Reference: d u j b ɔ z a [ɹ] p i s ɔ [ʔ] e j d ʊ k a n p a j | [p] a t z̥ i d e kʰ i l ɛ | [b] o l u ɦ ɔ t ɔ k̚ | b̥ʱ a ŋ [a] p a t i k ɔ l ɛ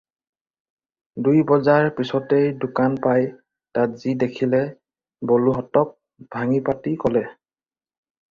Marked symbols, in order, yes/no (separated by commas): yes, no, no, yes, no